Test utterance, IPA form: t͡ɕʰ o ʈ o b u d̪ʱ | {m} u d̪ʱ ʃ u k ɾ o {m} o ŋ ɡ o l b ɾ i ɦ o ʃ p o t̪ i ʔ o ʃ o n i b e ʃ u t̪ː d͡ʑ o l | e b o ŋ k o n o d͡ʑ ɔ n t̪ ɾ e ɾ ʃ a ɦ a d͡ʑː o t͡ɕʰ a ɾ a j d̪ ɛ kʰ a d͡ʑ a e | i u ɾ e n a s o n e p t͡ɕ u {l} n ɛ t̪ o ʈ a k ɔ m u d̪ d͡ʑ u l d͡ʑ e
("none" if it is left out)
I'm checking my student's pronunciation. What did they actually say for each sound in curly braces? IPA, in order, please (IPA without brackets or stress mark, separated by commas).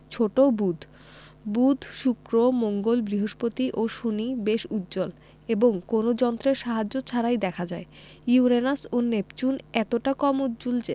b, m, none